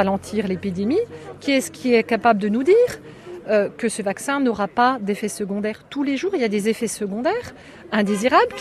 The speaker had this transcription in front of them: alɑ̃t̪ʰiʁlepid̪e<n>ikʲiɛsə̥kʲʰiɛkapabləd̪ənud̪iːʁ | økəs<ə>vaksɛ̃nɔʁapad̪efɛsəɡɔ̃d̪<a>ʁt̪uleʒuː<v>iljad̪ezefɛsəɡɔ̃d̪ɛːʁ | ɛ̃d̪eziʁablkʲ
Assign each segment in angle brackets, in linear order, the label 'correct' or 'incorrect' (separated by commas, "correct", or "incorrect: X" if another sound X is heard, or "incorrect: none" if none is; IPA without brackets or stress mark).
incorrect: m, correct, incorrect: ɛ, incorrect: ʁ